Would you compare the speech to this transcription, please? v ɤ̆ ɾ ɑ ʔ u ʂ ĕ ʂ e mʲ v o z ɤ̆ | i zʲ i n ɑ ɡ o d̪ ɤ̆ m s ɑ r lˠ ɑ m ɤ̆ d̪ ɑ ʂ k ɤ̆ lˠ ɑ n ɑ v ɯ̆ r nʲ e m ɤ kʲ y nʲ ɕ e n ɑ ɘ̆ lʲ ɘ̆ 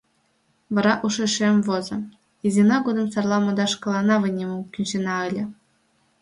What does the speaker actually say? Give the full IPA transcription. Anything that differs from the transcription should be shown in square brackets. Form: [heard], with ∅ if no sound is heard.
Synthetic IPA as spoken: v ɤ̆ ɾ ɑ ʔ u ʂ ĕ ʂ e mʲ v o z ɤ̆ | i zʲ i n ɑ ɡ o d̪ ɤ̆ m s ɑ r lˠ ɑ m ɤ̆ d̪ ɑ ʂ k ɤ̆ lˠ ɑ n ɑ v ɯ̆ [∅] nʲ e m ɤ kʲ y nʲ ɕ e n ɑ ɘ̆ lʲ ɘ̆